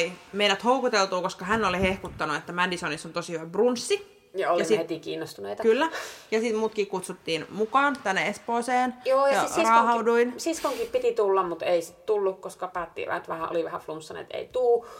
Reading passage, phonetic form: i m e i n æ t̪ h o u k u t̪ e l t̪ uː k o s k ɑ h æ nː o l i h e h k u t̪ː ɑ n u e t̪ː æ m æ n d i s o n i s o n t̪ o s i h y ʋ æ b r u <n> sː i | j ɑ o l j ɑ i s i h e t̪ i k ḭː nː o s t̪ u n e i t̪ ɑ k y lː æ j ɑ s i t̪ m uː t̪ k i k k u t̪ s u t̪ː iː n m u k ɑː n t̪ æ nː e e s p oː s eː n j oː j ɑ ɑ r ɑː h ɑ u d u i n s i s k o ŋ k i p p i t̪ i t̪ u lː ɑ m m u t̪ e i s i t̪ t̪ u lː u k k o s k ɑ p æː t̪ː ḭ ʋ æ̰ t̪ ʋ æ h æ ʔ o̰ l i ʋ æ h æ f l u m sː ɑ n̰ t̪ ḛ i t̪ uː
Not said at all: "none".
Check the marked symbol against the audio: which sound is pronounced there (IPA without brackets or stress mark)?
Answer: n